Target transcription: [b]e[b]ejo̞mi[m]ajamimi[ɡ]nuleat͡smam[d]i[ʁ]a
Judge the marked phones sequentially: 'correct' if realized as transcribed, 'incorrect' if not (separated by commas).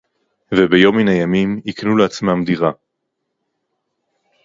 incorrect, correct, incorrect, incorrect, correct, correct